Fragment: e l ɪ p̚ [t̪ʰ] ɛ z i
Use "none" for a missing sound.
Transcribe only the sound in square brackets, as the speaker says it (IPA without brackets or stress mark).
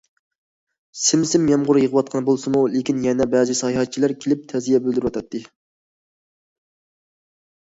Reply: t̪ʰ